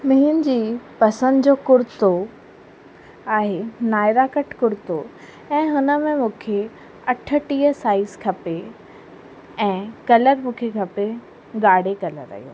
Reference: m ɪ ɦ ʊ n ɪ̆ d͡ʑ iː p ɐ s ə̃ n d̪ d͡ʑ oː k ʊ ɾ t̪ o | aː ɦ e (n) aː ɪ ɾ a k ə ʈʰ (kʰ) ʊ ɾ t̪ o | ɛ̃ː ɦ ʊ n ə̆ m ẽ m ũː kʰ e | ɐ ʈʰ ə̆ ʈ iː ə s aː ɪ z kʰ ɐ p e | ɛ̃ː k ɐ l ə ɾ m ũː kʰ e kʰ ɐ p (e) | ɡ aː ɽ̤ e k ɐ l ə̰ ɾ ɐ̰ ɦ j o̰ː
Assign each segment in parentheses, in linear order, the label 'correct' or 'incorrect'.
correct, incorrect, correct

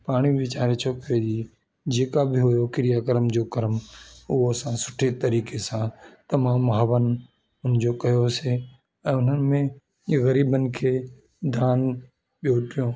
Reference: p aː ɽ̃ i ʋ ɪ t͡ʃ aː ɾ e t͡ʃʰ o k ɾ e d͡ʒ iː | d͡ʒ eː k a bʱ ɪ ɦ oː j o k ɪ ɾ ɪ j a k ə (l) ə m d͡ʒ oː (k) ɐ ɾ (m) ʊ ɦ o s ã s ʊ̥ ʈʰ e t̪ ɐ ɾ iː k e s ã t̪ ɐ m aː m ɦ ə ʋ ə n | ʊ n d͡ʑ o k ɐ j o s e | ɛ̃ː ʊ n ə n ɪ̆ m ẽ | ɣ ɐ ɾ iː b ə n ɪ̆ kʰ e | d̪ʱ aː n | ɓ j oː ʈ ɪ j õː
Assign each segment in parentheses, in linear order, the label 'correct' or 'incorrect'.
incorrect, correct, correct

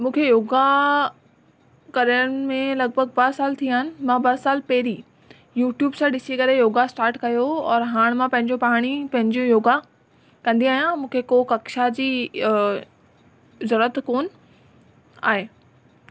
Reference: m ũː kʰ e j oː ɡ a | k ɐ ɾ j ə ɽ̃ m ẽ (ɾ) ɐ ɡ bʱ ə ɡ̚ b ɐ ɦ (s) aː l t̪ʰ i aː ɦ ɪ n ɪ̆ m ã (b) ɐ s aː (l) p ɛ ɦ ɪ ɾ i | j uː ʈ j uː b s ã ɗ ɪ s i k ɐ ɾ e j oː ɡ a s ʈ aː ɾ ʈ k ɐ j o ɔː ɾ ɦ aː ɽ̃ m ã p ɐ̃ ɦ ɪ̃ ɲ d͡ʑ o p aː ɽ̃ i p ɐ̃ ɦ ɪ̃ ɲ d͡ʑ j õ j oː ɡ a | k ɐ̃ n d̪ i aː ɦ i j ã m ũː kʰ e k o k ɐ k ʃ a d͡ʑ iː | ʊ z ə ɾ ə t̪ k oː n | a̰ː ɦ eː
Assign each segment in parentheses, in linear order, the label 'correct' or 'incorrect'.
incorrect, correct, correct, correct

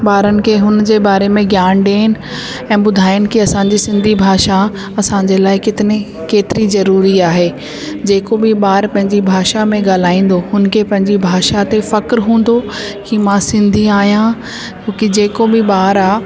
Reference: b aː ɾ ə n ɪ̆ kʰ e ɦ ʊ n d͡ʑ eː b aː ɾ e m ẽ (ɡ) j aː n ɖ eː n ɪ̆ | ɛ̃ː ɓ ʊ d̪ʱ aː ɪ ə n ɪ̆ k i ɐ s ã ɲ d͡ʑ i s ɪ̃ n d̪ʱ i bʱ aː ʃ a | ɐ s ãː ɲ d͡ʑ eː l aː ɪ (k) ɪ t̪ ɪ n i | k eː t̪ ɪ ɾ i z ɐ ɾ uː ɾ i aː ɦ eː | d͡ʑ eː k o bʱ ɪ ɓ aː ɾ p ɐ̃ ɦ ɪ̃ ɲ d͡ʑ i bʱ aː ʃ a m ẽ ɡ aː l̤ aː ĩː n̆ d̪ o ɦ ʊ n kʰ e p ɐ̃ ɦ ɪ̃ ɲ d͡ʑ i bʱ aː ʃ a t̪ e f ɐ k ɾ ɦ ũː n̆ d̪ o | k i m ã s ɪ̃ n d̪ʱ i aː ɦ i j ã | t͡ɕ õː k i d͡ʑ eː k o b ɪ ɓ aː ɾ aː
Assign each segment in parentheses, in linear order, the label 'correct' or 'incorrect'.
correct, correct

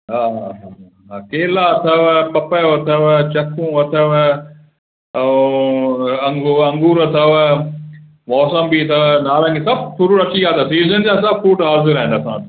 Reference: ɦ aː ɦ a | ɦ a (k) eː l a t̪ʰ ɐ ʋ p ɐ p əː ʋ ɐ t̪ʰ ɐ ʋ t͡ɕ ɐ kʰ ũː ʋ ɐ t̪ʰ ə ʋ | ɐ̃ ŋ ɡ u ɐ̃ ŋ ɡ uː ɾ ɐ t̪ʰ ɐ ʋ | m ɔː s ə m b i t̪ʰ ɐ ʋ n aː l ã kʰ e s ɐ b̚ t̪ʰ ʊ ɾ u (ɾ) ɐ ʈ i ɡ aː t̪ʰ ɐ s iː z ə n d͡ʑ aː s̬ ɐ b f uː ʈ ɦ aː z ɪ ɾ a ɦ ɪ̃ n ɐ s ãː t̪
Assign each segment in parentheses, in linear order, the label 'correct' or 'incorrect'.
correct, correct

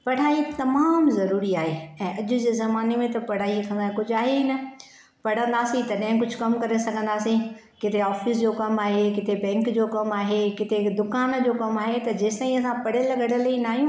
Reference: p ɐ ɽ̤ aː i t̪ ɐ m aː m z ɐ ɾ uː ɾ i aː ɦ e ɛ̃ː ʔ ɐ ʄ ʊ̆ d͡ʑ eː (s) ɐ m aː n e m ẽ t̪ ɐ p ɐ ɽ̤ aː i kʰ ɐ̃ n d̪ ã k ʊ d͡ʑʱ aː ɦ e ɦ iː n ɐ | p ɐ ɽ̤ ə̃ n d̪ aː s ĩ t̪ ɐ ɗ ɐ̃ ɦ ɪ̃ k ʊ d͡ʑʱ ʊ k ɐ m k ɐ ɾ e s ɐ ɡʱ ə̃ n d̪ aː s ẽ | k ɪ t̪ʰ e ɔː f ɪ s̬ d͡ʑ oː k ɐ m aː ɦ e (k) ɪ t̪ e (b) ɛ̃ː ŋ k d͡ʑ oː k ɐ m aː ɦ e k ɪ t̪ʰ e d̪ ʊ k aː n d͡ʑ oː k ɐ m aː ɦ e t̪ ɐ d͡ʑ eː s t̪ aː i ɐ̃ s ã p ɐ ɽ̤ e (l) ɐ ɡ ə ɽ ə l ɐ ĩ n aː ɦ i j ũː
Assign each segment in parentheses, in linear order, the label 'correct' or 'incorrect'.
incorrect, correct, correct, correct

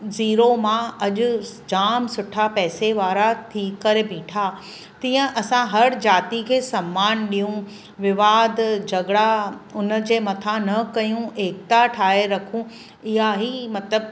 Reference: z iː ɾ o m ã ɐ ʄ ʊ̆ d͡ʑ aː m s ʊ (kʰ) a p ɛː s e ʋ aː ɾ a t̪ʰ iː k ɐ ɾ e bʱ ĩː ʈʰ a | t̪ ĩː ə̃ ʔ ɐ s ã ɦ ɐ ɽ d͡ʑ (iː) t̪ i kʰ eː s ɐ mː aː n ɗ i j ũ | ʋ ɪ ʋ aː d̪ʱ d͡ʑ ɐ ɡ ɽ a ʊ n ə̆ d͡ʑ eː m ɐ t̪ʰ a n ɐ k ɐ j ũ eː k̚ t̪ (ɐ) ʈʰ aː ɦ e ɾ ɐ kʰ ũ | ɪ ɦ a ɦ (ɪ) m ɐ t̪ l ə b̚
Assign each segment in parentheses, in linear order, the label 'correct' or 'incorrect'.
incorrect, incorrect, incorrect, incorrect

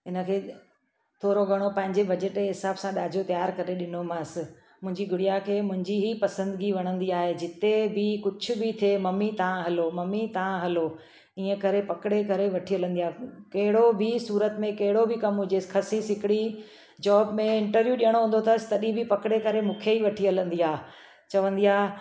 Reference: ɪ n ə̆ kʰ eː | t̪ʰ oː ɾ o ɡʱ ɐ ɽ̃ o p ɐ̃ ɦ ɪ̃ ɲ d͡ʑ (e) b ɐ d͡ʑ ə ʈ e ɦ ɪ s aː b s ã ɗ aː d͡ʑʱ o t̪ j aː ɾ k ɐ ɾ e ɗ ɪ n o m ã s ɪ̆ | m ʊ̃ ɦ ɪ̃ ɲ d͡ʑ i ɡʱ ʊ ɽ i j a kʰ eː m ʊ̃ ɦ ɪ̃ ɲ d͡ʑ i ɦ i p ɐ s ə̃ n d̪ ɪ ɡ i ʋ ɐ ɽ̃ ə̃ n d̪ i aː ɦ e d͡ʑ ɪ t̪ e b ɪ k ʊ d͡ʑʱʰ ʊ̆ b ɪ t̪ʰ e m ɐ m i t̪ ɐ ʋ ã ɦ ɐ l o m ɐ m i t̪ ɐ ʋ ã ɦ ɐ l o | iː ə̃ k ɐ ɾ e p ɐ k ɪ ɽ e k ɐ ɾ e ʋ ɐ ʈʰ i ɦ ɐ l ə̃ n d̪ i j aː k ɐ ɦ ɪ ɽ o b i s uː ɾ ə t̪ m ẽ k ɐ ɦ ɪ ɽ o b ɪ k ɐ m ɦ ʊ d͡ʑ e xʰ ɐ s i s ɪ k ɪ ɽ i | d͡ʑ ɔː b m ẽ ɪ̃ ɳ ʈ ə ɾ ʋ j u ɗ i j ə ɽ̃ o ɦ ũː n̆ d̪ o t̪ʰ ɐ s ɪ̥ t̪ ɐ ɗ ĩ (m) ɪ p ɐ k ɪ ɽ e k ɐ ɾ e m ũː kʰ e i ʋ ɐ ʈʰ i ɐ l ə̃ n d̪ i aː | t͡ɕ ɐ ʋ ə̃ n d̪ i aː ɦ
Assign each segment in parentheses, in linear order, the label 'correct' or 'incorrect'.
correct, incorrect

